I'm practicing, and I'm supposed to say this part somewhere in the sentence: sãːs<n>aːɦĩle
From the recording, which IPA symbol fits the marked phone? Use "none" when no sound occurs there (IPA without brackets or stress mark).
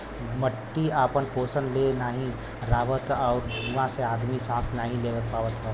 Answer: n